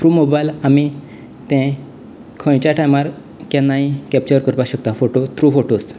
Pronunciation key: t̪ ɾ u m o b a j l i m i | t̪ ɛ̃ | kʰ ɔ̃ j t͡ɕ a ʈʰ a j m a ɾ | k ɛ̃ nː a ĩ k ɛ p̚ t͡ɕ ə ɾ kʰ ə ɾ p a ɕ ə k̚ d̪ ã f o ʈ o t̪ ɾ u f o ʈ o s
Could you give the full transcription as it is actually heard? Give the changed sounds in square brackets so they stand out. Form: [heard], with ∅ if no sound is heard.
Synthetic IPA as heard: t̪ ɾ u m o b a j l [a] m i | t̪ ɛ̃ | kʰ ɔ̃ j t͡ɕ a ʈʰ a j m a ɾ | k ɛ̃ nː a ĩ k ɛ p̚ t͡ɕ ə ɾ [k] ə ɾ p a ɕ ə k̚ [t̪] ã f o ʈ o t̪ ɾ u f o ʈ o s